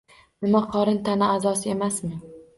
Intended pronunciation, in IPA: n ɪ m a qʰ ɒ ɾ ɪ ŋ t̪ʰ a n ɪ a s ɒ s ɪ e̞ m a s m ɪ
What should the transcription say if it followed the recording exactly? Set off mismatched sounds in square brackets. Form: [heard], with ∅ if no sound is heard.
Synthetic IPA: n ɪ m a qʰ ɒ ɾ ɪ [n] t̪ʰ a n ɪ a [z] ɒ s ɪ e̞ m a s m ɪ